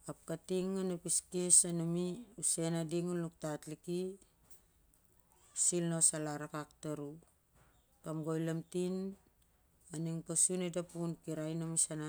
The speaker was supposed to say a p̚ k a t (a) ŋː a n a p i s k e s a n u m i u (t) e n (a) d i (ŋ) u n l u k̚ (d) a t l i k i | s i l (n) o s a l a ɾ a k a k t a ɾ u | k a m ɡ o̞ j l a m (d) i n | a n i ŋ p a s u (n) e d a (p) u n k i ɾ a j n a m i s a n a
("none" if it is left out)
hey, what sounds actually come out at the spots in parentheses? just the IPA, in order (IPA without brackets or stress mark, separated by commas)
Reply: i, s, a, ŋ, t, n, t, n, p